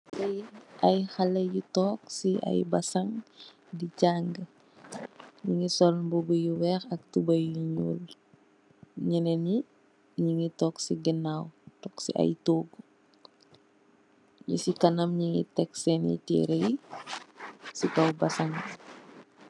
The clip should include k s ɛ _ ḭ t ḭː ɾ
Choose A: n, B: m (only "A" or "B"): A